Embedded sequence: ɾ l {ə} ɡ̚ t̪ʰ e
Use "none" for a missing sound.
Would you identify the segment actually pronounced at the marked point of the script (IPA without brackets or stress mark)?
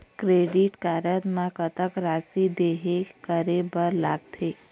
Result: a